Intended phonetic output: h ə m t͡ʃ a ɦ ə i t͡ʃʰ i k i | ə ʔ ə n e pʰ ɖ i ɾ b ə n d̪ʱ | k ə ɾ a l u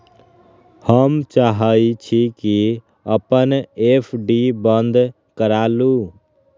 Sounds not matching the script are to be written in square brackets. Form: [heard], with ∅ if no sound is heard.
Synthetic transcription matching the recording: h ə m t͡ʃ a ɦ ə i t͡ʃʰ i k i | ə [p] ə n e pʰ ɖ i [∅] b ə n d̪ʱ | k ə ɾ a l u